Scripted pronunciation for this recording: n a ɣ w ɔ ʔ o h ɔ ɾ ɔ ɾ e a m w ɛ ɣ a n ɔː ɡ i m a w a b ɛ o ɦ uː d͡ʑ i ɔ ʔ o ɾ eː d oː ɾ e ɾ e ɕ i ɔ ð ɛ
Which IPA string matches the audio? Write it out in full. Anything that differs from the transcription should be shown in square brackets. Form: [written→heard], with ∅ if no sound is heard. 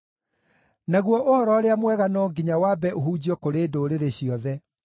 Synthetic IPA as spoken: n a ɣ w ɔ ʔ o h ɔ ɾ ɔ ɾ e a m w ɛ ɣ a n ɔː ɡ i [m→ɲ] a w a b ɛ o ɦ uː d͡ʑ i ɔ [ʔ→k] o ɾ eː d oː ɾ e ɾ e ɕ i ɔ ð ɛ